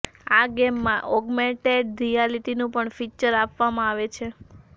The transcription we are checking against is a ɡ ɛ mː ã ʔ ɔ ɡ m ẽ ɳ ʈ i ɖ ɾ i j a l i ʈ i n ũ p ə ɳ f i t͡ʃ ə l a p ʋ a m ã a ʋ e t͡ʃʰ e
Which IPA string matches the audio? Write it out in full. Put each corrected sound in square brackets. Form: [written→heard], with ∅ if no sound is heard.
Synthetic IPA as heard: a ɡ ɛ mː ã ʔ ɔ ɡ m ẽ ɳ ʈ [i→e] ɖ ɾ i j a l i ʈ i n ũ p ə ɳ f i t͡ʃ ə [l→ɾ] a p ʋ a m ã a ʋ e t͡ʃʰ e

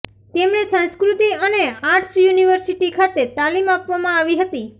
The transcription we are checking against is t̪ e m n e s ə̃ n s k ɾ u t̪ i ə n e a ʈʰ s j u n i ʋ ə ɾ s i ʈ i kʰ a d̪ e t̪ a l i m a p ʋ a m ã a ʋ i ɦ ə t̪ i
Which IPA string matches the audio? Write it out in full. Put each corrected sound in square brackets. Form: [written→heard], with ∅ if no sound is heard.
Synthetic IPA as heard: t̪ e m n e s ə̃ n s k ɾ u t̪ i ə n e a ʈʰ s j u n i ʋ ə ɾ s i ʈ i kʰ a [d̪→t̪] e t̪ a l i m a p ʋ a m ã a ʋ i ɦ ə t̪ i

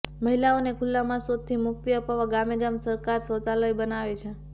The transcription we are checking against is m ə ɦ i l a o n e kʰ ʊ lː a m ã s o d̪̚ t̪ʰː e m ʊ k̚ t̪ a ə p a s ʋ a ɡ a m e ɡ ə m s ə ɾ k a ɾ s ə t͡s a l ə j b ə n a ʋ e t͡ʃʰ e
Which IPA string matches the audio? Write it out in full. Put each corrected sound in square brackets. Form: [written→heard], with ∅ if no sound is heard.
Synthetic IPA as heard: m ə ɦ i l a o n e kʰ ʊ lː a m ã s o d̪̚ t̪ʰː [e→i] m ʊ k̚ t̪ [a→i] ə p a [s→∅] ʋ a ɡ a m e ɡ [ə→a] m s ə ɾ k a ɾ s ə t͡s a l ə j b ə n a ʋ e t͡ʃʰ e

